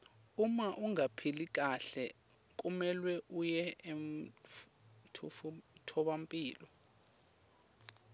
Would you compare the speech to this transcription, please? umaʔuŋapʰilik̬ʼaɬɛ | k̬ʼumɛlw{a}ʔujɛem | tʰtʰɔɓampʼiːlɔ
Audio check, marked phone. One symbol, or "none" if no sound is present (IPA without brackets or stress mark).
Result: ɛ